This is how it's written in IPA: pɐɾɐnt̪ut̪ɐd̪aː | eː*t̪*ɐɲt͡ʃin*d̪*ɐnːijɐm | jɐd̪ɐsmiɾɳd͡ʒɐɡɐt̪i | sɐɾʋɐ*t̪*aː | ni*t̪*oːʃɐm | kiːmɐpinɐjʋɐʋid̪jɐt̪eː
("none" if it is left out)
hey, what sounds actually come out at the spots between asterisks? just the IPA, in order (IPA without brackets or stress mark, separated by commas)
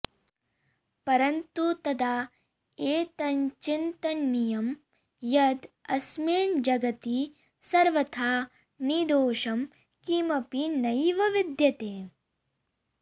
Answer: t̪, t̪, t̪ʰ, d̪